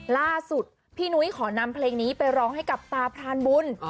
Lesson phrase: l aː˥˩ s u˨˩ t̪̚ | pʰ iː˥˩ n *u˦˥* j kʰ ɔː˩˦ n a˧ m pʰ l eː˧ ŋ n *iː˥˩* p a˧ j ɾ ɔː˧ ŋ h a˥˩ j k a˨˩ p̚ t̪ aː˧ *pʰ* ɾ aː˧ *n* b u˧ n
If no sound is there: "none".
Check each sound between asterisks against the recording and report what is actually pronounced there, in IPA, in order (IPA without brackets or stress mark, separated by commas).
u˦˥, iː˦˥, pʰ, n